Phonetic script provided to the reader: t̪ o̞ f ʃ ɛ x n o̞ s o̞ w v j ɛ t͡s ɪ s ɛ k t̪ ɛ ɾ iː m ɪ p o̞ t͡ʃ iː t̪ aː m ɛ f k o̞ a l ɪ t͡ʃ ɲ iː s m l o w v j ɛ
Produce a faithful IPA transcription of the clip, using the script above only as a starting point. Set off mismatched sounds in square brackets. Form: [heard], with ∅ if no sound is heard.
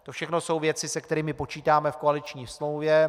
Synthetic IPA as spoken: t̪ o̞ f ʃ ɛ x n o̞ s o̞ w v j ɛ t͡s ɪ s ɛ k t̪ ɛ ɾ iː m ɪ p o̞ t͡ʃ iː t̪ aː m ɛ f k o̞ a l ɪ t͡ʃ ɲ iː s m l o w v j ɛ